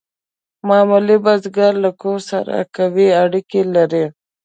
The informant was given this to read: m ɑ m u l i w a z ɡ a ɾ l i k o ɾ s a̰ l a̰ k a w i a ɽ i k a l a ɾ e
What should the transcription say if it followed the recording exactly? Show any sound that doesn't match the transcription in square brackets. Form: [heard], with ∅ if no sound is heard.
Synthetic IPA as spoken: m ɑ m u l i [b] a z ɡ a ɾ l [a] k o ɾ s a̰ [ɾ] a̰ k a w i a ɽ i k [e] l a ɾ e